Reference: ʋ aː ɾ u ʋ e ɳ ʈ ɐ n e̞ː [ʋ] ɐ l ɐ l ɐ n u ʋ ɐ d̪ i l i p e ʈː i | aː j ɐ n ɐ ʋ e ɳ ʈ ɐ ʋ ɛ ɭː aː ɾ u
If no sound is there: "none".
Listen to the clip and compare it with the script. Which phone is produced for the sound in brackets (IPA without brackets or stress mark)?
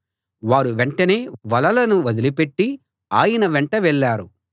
ʋ